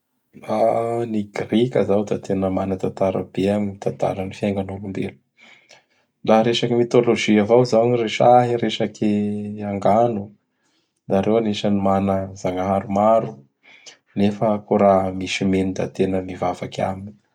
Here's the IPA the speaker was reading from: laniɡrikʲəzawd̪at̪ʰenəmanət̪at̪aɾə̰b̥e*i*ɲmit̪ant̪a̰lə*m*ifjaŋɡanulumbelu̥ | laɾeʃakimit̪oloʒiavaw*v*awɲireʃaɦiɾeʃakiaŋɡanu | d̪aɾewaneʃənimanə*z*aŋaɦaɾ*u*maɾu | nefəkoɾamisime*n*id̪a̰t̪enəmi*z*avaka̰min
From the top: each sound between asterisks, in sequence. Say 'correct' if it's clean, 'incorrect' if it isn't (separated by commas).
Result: incorrect, incorrect, incorrect, correct, correct, correct, incorrect